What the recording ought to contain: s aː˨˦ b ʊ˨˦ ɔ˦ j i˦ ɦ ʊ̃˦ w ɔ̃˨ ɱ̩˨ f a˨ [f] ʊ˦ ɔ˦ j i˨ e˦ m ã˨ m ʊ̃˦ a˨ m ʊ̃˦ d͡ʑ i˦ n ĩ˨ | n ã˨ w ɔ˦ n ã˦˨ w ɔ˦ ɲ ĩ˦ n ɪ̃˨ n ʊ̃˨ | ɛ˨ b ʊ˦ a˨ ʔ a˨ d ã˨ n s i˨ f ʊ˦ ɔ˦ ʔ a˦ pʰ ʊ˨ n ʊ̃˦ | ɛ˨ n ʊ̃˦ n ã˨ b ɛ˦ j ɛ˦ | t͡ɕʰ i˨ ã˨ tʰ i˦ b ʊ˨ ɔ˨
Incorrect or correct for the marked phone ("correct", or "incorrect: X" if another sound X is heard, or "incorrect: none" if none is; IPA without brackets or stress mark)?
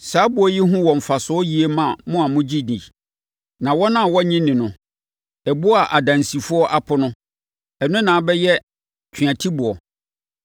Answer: incorrect: s